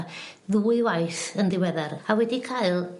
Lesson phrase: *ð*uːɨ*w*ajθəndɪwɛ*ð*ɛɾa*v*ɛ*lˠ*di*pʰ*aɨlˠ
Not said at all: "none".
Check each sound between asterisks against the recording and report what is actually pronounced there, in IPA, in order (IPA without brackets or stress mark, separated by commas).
ð, w, ð, w, none, kʰ